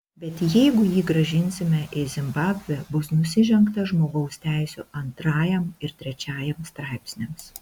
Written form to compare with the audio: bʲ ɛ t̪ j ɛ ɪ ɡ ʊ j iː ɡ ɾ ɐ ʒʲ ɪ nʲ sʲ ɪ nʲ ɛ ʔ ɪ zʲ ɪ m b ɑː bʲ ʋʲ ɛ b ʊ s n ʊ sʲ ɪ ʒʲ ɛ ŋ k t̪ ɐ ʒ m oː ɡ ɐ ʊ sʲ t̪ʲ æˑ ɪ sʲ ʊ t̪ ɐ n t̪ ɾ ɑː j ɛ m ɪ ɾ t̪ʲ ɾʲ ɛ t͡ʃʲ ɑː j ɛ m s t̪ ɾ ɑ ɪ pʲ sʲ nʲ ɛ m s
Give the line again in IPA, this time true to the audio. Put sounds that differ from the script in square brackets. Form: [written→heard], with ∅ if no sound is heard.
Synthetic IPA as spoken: bʲ ɛ t̪ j ɛ ɪ ɡ ʊ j iː ɡ ɾ ɐ ʒʲ ɪ nʲ sʲ ɪ [nʲ→mʲ] ɛ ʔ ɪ zʲ ɪ m b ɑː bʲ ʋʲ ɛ b ʊ s n ʊ sʲ ɪ ʒʲ ɛ ŋ k t̪ ɐ ʒ m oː ɡ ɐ ʊ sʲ t̪ʲ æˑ ɪ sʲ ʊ [t̪→∅] ɐ n t̪ ɾ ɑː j ɛ m ɪ ɾ t̪ʲ ɾʲ ɛ t͡ʃʲ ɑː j ɛ m s t̪ ɾ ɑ ɪ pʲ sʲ nʲ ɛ m s